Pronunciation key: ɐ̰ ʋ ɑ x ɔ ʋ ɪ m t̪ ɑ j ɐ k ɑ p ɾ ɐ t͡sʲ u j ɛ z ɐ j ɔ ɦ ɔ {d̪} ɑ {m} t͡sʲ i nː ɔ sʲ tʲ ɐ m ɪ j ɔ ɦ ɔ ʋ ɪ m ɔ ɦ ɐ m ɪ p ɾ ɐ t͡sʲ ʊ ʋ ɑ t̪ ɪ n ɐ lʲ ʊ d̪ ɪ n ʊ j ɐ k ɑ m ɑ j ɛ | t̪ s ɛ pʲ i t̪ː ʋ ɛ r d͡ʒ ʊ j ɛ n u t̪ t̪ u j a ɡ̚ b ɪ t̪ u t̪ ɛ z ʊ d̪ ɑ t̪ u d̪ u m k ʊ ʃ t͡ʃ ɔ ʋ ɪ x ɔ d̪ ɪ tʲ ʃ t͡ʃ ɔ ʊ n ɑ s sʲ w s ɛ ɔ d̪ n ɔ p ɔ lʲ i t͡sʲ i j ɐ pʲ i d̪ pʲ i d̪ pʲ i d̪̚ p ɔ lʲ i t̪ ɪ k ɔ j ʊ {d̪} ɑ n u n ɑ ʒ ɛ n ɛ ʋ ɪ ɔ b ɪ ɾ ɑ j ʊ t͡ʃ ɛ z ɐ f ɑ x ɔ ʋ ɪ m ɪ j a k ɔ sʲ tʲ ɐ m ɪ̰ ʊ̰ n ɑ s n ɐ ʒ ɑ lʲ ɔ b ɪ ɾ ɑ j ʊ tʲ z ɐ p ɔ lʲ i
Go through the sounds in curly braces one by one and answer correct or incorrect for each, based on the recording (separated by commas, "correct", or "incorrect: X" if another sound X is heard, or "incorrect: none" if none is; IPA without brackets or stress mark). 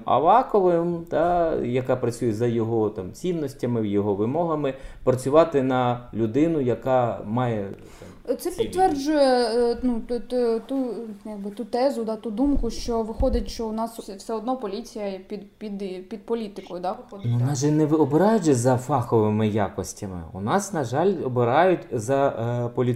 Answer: incorrect: t̪, correct, correct